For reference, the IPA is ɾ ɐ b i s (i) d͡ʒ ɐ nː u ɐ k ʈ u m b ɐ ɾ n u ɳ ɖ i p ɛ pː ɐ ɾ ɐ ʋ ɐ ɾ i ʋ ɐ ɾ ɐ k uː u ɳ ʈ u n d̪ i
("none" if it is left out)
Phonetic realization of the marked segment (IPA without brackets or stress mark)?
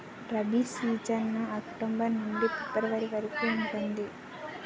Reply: iː